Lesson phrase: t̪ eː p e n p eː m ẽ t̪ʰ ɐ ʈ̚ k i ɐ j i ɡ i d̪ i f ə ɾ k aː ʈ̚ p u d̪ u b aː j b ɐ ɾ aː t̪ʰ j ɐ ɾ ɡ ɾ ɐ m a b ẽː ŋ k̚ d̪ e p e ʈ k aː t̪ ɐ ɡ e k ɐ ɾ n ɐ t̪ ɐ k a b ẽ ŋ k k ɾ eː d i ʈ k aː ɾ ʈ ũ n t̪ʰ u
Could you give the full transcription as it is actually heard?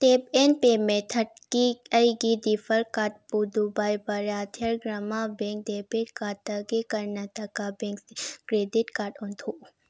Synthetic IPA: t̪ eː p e n p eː m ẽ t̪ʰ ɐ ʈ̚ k i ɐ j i ɡ i d̪ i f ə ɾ k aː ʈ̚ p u d̪ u b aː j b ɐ ɾ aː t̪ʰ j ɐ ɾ ɡ ɾ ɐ m a b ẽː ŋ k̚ d̪ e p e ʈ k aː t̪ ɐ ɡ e k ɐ ɾ n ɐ t̪ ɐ k a b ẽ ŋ k k ɾ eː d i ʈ k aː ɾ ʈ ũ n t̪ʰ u